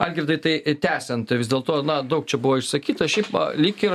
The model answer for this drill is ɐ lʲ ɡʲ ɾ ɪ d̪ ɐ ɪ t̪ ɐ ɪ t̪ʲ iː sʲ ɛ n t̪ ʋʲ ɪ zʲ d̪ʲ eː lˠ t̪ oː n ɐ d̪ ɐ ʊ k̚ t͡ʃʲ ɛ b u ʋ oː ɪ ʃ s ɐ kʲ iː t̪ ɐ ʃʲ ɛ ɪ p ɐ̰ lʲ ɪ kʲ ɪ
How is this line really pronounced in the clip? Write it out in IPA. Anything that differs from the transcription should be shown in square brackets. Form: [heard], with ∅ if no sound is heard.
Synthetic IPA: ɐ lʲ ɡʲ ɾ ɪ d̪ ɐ ɪ t̪ ɐ ɪ t̪ʲ [æː] sʲ ɛ n t̪ ʋʲ ɪ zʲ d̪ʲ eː lˠ t̪ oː n ɐ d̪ ɐ ʊ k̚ t͡ʃʲ ɛ b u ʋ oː ɪ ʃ s ɐ kʲ iː t̪ ɐ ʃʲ ɛ ɪ p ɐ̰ lʲ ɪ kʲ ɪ